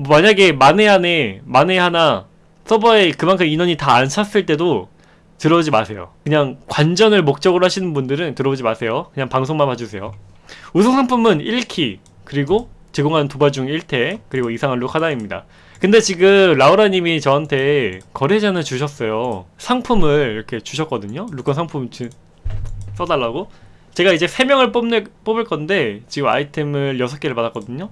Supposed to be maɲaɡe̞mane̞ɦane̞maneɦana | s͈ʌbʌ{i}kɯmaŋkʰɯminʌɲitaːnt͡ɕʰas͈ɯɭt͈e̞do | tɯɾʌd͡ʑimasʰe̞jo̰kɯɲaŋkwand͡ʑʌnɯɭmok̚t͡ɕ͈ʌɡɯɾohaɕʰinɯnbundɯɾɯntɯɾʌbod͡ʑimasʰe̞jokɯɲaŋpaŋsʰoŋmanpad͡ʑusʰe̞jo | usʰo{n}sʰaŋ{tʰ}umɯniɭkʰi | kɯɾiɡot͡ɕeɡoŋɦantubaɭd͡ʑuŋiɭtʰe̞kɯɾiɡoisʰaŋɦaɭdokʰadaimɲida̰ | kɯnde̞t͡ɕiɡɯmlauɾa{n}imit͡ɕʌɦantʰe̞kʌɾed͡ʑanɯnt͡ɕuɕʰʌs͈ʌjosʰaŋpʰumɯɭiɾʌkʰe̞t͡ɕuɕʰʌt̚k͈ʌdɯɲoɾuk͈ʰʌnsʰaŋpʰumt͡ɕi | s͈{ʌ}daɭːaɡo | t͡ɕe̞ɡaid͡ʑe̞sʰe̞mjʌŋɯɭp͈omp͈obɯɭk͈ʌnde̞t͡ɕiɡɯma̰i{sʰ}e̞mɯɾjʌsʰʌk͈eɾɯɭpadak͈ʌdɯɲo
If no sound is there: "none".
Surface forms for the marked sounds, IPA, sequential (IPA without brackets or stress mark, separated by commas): e, ŋ, pʰ, ɲ, ʌ, tʰ